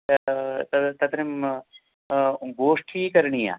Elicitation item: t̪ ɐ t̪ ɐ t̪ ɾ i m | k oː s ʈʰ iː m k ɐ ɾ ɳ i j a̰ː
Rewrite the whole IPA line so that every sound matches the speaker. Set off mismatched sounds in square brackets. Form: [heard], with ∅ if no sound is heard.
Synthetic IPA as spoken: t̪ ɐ t̪ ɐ t̪ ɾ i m | [ɡ] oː [ʂ] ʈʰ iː [∅] k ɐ ɾ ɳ i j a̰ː